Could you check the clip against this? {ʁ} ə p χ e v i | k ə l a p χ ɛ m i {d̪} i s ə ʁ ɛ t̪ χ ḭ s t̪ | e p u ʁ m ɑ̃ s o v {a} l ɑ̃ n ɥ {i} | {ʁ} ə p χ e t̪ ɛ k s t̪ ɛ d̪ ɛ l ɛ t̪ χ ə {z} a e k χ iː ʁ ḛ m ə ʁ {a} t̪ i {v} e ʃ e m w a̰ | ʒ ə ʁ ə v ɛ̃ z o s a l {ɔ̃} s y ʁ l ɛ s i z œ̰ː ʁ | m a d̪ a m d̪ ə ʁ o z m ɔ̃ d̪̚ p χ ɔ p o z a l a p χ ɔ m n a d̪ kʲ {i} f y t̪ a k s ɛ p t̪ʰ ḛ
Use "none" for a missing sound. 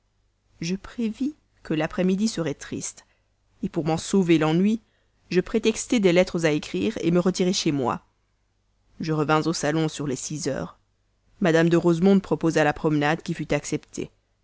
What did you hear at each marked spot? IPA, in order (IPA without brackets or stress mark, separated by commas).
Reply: ʒ, d̪, e, i, ʒ, z, ə, ʁ, ɔ̃, i